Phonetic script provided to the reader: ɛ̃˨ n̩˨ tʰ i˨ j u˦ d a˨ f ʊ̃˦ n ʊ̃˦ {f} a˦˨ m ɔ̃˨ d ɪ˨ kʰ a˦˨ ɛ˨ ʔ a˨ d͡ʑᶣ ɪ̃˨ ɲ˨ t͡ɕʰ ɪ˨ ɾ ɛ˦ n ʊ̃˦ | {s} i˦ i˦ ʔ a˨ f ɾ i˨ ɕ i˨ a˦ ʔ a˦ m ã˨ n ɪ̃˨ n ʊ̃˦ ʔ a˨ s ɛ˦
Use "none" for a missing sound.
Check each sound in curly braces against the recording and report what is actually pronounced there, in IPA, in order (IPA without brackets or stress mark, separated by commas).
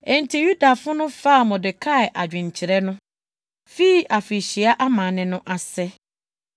f, f